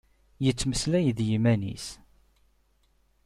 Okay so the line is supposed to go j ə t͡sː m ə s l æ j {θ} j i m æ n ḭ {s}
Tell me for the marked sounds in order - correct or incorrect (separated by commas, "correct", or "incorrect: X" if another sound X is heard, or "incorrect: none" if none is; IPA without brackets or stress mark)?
incorrect: ð, correct